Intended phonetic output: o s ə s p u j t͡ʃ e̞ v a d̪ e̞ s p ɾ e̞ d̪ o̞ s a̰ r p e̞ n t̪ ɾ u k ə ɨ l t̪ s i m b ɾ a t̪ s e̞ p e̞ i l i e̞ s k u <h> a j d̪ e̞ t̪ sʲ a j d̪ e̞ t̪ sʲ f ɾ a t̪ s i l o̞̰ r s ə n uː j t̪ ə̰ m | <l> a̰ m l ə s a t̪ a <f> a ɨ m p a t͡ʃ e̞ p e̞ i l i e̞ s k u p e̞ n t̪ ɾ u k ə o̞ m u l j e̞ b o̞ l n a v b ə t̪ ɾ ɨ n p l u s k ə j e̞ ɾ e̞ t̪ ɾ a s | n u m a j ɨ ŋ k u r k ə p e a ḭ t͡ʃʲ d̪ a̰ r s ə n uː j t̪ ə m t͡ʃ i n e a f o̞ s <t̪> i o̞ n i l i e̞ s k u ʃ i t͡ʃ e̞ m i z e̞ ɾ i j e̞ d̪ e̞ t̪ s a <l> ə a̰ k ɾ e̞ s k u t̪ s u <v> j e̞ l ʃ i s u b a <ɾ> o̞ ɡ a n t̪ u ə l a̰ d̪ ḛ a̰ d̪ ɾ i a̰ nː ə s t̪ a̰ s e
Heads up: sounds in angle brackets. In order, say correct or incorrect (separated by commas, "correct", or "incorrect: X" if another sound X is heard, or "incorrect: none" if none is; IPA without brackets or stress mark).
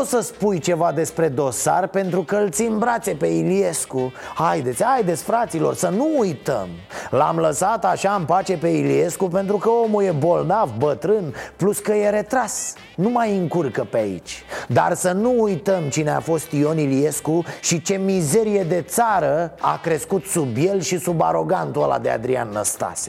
correct, correct, incorrect: ʃ, correct, incorrect: ɾ, incorrect: b, correct